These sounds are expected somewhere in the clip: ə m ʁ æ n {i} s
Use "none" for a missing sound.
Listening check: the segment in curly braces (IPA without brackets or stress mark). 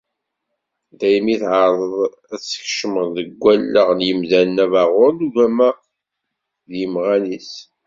i